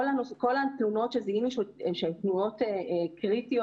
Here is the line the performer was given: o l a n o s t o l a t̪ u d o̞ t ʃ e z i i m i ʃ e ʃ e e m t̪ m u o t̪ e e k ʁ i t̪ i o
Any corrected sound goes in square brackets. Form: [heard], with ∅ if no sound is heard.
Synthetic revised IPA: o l a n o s [k] o l a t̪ u [n] o̞ t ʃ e z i i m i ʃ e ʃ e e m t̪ [n] u o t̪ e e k ʁ i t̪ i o